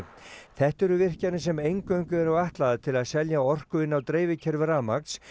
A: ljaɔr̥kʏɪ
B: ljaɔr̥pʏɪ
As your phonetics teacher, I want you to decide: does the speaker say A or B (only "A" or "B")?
A